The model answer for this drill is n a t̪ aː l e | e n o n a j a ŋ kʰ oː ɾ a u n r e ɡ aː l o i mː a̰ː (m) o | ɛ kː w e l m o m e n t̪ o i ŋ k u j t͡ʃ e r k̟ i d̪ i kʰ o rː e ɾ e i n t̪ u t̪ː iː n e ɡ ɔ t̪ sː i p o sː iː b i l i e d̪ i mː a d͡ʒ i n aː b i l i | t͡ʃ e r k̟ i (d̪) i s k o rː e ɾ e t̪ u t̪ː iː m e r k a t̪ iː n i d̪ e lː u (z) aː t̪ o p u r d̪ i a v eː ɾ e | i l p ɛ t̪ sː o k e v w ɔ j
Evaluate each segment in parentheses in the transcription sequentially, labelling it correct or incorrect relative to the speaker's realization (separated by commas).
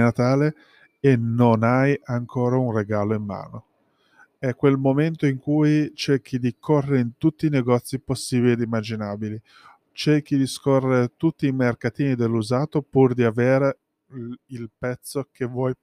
incorrect, correct, correct